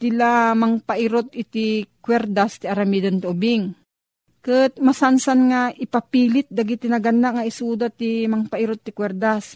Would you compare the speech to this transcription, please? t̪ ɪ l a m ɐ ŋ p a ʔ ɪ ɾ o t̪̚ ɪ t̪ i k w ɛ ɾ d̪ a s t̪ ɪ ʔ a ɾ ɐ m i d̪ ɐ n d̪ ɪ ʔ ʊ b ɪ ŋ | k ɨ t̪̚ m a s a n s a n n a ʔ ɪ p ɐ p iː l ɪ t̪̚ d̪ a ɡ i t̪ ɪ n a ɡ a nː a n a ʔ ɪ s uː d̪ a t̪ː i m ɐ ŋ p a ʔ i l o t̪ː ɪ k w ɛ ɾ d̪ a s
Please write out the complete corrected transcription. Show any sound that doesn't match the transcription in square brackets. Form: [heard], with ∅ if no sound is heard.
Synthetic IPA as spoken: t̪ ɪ l a m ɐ ŋ p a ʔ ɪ ɾ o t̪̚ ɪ t̪ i k w ɛ ɾ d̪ a s t̪ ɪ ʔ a ɾ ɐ m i d̪ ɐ n [t̪] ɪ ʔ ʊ b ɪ ŋ | k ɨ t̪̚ m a s a n s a n [ŋ] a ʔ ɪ p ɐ p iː l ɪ t̪̚ d̪ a ɡ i t̪ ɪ n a ɡ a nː a [ŋ] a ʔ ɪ s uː d̪ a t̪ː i m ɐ ŋ p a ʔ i [ɾ] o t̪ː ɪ k w ɛ ɾ d̪ a s